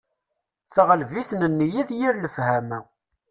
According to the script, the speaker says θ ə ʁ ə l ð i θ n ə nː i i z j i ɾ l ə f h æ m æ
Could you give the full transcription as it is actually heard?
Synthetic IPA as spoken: θ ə ʁ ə l v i θ n ə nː j i ð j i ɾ l ə f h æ m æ